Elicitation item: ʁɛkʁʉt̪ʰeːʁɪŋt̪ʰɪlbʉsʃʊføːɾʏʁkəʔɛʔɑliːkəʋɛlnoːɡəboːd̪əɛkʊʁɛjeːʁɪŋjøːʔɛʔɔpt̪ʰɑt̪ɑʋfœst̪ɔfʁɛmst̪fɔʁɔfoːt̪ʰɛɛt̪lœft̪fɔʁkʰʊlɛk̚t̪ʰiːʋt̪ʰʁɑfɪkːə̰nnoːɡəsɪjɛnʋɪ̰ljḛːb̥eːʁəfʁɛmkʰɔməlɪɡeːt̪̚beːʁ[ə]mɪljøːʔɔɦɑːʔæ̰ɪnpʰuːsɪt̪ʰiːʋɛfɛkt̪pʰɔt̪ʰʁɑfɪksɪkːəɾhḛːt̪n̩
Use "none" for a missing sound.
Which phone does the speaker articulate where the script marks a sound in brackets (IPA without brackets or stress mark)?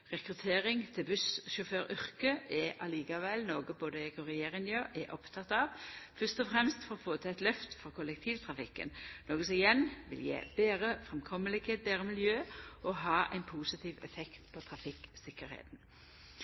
ə